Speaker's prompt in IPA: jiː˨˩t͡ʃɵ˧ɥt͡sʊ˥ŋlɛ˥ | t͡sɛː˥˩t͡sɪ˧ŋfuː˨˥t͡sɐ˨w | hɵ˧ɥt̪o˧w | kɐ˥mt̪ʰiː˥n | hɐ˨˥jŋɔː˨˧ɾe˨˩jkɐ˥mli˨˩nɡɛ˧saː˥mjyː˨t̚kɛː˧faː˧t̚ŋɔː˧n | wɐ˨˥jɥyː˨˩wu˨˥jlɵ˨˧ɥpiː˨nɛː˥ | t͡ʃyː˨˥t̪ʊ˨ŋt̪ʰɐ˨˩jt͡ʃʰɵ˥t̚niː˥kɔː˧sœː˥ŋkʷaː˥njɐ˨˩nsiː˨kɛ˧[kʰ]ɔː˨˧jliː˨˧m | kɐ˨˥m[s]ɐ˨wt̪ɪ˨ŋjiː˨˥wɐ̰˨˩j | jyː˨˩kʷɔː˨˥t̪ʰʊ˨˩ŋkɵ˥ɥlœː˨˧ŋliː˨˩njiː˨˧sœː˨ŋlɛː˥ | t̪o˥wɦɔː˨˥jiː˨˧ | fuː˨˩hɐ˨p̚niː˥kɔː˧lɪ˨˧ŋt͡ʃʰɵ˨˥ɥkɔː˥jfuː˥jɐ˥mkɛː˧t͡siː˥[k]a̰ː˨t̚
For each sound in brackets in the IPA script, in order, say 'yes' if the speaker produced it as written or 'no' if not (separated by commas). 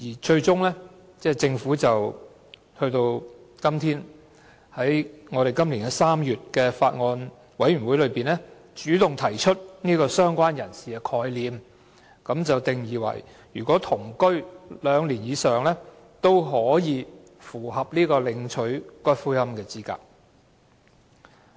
yes, no, yes